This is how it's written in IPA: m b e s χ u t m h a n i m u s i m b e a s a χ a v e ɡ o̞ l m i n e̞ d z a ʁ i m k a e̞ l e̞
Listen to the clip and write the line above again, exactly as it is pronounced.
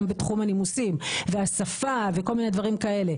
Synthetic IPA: m b e t χ u m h a n i m u s i m v e a s a f a v e k o̞ l m i n e̞ d v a ʁ i m k a e̞ l e̞